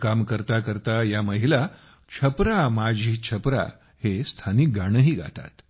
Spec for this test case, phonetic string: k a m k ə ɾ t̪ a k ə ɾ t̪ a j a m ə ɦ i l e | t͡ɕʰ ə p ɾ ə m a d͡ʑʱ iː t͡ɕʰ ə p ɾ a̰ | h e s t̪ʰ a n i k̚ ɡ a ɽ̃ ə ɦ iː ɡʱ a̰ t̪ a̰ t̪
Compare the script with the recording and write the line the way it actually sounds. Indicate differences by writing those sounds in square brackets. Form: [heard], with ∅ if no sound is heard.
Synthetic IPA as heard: k a m k ə ɾ t̪ a k ə ɾ t̪ a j a m ə ɦ i l [a] | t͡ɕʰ ə p ɾ [a] m a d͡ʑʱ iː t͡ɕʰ ə p ɾ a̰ | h e s t̪ʰ a n i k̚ ɡ a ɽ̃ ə ɦ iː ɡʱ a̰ t̪ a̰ t̪